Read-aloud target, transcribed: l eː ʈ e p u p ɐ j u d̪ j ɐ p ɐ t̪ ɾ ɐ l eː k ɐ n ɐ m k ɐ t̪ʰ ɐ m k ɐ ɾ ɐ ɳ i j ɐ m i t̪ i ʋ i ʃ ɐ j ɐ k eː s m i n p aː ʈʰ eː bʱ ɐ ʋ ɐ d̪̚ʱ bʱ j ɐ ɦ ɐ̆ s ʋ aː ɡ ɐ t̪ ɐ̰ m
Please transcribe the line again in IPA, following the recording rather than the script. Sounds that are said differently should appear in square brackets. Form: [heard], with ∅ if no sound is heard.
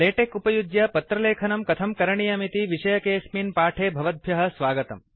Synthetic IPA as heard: l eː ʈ e [k] u p ɐ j u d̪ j ɐ p ɐ t̪ ɾ ɐ l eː [kʰ] ɐ n ɐ m k ɐ t̪ʰ ɐ m k ɐ ɾ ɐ ɳ i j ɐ m i t̪ i ʋ i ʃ ɐ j ɐ k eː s m i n p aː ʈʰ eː bʱ ɐ ʋ ɐ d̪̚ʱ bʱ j ɐ ɦ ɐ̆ s ʋ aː ɡ ɐ t̪ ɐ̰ m